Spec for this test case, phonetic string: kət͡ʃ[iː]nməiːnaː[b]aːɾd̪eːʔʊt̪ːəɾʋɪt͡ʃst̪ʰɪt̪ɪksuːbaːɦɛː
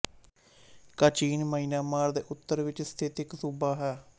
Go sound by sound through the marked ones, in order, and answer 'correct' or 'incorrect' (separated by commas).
correct, incorrect